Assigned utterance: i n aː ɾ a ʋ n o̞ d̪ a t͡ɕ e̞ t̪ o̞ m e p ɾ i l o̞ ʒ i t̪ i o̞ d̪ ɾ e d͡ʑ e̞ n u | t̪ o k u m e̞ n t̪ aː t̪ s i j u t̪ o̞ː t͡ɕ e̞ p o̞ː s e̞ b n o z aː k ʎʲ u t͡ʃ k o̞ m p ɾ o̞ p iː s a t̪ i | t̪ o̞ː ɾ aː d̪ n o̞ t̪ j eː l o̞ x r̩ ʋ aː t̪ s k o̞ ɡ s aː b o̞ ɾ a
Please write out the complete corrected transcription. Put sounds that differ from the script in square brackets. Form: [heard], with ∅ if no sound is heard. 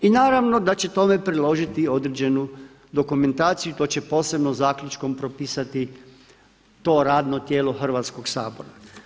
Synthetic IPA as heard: i n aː ɾ a ʋ n o̞ d̪ a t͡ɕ e̞ t̪ o̞ m e p ɾ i l o̞ ʒ i t̪ i o̞ d̪ ɾ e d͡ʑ e̞ n u | [d̪] o k u m e̞ n t̪ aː t̪ s i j u t̪ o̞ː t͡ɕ e̞ p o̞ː s e̞ b n o z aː k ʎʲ u t͡ʃ k o̞ m p ɾ o̞ p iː s a t̪ i | t̪ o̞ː ɾ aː d̪ n o̞ t̪ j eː l o̞ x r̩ ʋ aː t̪ s k o̞ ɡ s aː b o̞ ɾ a